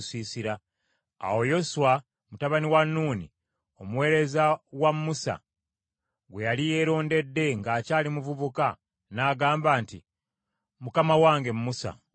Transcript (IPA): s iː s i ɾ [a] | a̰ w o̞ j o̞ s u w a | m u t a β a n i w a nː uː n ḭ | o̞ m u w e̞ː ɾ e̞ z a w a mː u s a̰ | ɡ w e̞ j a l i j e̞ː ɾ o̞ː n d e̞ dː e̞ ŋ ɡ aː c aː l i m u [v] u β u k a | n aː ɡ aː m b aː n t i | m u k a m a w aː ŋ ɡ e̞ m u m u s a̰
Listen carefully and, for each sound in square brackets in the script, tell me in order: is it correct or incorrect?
correct, correct

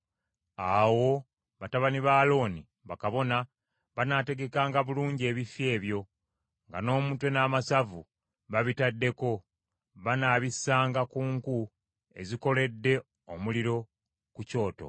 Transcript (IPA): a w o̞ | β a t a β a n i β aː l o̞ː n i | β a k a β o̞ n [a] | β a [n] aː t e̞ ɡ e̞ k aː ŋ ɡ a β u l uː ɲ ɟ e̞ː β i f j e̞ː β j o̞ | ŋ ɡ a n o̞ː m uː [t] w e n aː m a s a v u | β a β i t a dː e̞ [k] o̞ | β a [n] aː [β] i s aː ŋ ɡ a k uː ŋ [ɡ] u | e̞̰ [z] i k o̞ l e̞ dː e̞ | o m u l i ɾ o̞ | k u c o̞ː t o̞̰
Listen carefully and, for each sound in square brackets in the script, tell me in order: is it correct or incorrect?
correct, correct, correct, correct, correct, correct, incorrect, correct

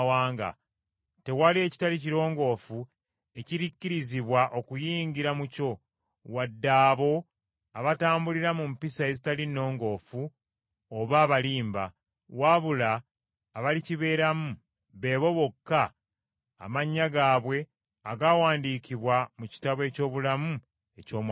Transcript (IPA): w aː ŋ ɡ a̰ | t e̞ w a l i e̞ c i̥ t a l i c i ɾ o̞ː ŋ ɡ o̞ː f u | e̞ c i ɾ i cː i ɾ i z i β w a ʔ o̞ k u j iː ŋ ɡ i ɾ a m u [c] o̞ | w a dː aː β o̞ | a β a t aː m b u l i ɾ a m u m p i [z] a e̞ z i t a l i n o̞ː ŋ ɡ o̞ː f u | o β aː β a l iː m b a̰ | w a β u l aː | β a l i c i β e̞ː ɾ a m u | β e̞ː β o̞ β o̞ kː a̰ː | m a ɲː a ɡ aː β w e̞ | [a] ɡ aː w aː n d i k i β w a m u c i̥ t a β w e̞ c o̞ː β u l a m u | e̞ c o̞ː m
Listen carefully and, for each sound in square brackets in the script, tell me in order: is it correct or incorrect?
correct, incorrect, correct

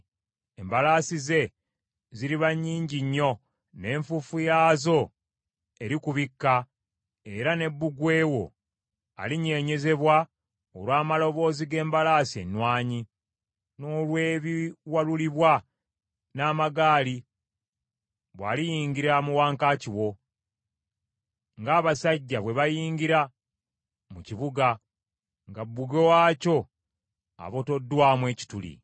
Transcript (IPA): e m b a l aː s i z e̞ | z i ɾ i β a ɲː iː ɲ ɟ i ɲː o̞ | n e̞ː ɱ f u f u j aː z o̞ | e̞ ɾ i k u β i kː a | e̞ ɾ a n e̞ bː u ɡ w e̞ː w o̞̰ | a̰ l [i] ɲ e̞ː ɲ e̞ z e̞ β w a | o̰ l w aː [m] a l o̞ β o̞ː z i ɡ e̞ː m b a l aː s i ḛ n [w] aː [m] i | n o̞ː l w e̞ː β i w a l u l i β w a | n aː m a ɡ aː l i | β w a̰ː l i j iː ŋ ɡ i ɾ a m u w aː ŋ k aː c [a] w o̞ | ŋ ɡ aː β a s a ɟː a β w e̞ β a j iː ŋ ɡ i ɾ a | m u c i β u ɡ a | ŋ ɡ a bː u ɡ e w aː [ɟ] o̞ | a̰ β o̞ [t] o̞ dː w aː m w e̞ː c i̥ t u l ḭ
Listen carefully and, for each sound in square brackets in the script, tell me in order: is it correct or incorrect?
correct, correct, correct, incorrect, incorrect, incorrect, correct

